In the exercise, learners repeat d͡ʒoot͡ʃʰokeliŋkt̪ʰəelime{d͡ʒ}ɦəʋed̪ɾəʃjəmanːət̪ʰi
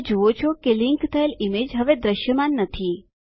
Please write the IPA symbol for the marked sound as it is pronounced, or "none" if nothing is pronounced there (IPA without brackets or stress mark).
d͡ʒ